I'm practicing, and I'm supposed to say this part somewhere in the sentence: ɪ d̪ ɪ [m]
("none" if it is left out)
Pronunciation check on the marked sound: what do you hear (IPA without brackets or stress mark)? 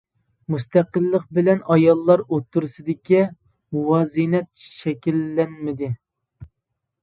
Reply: none